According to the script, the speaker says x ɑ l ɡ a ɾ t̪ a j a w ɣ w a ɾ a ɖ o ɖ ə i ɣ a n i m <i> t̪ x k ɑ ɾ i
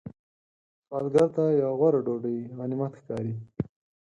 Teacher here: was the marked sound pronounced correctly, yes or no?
no